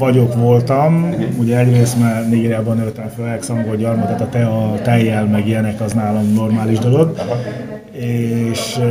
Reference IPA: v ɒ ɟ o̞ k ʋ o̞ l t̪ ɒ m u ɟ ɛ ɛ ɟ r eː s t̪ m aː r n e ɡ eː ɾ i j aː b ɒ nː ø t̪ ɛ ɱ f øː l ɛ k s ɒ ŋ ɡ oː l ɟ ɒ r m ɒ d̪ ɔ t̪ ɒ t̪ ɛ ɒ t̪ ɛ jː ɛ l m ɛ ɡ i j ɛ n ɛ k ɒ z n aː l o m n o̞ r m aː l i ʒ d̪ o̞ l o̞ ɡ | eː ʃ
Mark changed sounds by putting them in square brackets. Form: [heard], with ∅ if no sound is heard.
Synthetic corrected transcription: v ɒ ɟ o̞ k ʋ o̞ l t̪ ɒ m u ɟ ɛ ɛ ɟ r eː s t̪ m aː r n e ɡ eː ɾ i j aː b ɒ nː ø t̪ ɛ ɱ f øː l ɛ k s ɒ ŋ ɡ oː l ɟ ɒ r m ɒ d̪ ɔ t̪ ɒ t̪ ɛ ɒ t̪ ɛ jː ɛ l m ɛ ɡ i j ɛ n ɛ k ɒ z n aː l o m n o̞ r m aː l i ʒ d̪ o̞ l o̞ ɡ | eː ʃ